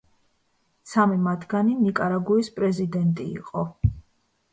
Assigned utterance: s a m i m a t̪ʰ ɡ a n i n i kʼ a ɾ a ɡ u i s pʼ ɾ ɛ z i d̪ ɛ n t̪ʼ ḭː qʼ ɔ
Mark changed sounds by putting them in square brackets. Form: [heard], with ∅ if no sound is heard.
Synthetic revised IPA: s a m i m a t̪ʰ ɡ a n i n i kʼ a ɾ a ɡ u i s pʼ ɾ ɛ z i d̪ ɛ n t̪ʼ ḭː qʼ ɔ